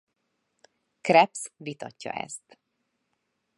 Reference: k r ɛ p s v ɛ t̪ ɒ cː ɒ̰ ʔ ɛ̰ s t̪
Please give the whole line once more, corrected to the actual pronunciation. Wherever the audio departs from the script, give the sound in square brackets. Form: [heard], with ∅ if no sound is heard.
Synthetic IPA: k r ɛ p s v [i] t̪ ɒ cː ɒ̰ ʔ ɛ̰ s t̪